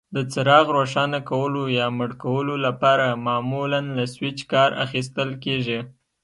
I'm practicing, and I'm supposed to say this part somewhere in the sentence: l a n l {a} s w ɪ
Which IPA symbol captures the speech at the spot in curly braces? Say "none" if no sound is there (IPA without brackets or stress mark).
a